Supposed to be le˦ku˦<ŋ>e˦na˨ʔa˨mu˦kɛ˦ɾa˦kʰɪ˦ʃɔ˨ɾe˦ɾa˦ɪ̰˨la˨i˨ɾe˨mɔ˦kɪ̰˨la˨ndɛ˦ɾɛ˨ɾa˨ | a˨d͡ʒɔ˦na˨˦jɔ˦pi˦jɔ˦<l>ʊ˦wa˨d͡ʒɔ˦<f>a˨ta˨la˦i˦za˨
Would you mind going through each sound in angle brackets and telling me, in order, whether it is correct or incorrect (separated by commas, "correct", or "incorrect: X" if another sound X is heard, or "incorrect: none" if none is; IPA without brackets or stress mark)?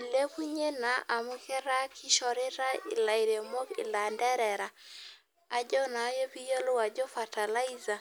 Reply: incorrect: ɲ, correct, correct